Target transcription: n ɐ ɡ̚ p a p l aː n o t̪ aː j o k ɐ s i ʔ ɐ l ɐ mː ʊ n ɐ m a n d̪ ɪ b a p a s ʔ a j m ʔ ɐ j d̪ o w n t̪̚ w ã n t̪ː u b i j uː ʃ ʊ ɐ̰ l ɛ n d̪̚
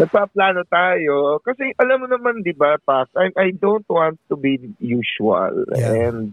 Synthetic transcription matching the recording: n ɐ ɡ̚ p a p l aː n o t̪ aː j o k ɐ s ɛ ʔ ɐ l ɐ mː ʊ n ɐ m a n d̪ ɪ b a p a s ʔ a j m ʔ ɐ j d̪ o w n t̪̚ w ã n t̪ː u b i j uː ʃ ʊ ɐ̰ l ɛ n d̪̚